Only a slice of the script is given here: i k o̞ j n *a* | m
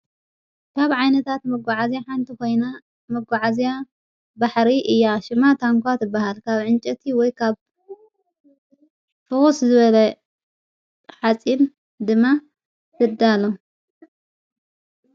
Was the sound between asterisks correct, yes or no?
yes